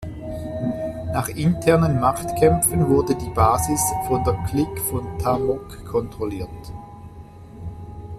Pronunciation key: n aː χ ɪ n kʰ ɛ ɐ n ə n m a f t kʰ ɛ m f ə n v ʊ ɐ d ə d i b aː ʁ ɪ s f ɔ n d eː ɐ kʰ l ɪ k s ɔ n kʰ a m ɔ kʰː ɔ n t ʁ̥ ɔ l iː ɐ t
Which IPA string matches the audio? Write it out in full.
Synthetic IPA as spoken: n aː χ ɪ n tʰ ɛ ɐ n ə n m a χ t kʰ ɛ m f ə n v ʊ ɐ d ə d iː b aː z ɪ s f ɔ n d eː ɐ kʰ l ɪ k f ɔ n tʰ a m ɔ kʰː ɔ n t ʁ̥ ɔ l iː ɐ t